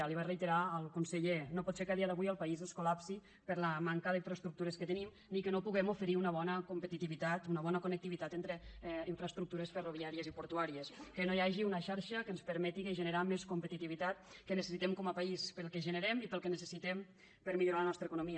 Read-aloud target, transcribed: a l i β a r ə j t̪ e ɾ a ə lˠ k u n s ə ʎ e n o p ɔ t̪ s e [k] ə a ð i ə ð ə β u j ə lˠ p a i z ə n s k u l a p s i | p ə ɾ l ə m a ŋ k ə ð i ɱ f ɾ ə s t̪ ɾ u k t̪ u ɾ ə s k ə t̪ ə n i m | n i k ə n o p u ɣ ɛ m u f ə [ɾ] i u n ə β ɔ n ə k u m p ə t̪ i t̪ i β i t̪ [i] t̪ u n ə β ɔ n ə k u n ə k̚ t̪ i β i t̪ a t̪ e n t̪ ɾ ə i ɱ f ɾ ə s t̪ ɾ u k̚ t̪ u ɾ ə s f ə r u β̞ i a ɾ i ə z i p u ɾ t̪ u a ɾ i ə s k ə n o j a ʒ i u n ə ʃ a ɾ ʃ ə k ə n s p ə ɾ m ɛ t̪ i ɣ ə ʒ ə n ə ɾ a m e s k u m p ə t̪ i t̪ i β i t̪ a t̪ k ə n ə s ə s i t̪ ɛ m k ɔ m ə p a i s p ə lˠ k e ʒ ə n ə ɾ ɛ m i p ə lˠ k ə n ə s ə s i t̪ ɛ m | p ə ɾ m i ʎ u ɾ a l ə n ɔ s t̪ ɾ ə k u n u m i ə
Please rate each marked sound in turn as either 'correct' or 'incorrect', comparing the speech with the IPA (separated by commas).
correct, correct, incorrect